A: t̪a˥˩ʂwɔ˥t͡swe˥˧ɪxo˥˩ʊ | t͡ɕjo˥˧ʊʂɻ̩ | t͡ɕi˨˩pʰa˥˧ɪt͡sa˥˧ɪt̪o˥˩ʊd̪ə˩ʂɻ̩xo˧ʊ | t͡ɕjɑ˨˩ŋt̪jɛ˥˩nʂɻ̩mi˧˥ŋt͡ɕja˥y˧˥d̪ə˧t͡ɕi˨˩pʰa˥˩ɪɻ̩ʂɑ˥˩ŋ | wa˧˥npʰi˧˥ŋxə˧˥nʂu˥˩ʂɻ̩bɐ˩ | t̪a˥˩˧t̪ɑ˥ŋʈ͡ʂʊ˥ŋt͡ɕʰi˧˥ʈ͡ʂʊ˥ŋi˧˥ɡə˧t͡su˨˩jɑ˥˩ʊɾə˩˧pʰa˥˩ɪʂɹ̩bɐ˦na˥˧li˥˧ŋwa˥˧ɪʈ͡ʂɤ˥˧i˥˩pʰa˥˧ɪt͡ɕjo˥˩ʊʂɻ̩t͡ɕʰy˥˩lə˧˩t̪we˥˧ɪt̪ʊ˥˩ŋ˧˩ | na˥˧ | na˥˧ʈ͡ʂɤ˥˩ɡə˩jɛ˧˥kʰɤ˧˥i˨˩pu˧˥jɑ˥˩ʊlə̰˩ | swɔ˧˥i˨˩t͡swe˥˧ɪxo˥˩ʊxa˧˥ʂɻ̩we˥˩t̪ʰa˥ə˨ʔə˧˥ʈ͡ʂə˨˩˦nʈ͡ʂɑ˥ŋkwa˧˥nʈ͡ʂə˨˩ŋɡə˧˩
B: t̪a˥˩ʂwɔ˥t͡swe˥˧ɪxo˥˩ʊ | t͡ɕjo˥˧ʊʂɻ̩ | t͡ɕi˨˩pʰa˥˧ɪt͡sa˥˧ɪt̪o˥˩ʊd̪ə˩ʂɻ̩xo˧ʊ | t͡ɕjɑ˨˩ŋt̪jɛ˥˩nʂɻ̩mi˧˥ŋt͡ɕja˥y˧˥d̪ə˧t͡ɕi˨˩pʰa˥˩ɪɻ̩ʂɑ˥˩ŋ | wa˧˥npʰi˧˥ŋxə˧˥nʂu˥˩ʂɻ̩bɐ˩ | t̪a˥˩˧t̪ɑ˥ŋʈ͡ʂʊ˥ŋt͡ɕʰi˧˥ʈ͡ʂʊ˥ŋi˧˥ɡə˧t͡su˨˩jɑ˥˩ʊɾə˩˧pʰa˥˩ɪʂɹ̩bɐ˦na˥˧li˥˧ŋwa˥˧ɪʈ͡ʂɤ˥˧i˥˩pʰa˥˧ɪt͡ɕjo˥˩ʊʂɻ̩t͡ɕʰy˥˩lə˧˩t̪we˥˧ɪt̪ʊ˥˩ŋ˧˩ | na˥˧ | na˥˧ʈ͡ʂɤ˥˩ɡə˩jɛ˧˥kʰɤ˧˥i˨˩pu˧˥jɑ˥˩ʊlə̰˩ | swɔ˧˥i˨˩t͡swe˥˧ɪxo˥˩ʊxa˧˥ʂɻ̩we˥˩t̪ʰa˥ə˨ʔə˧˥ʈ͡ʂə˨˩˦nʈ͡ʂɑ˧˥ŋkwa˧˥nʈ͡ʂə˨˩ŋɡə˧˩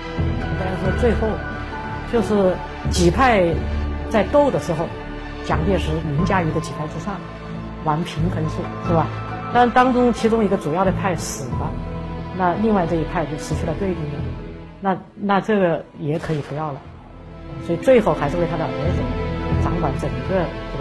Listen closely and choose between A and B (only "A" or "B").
B